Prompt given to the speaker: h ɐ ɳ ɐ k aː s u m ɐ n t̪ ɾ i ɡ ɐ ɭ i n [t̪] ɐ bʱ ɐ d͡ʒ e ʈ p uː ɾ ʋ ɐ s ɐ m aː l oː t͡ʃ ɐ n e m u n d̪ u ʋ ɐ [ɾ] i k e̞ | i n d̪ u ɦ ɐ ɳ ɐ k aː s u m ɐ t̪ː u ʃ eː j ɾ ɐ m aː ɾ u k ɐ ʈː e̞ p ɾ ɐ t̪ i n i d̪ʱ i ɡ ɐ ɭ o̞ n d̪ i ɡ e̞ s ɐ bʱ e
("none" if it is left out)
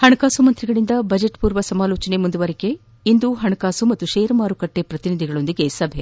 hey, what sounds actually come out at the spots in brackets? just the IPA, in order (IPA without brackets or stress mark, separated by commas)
d̪, ɾ